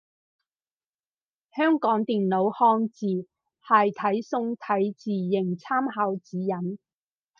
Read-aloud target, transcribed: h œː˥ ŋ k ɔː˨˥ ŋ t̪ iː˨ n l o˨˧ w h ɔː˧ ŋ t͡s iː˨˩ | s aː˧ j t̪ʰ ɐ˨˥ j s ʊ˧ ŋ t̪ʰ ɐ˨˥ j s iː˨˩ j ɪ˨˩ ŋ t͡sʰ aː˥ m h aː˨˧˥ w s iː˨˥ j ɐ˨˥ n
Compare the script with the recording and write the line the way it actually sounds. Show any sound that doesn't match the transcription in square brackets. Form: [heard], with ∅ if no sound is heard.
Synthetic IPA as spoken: h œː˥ ŋ k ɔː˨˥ ŋ t̪ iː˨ n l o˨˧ w h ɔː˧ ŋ t͡s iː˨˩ | [h] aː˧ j t̪ʰ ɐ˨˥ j s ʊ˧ ŋ t̪ʰ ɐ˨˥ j [t͡s] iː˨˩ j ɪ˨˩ ŋ t͡sʰ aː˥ m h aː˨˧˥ w [t͡s] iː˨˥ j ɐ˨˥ n